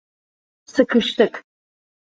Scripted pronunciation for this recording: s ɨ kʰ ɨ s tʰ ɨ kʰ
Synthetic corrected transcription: s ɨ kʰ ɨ ʃ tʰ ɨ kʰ